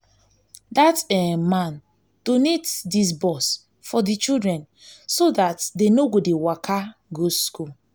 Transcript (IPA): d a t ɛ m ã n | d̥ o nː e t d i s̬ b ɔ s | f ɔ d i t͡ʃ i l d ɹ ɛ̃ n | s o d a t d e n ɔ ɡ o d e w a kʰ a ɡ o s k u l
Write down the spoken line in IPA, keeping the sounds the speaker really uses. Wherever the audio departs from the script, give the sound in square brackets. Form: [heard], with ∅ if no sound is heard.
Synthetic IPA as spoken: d a t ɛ m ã n | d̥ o [n] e t d i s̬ b ɔ s | f ɔ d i t͡ʃ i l d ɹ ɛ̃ n | s o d a t d e n [o] ɡ o d e w a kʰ a ɡ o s k u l